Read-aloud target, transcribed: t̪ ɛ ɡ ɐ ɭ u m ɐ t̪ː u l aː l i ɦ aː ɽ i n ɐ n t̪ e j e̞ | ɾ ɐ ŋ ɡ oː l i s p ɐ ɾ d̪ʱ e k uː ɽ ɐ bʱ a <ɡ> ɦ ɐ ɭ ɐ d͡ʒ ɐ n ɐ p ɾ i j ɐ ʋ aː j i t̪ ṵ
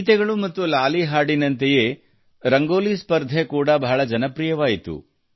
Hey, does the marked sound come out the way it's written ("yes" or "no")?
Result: no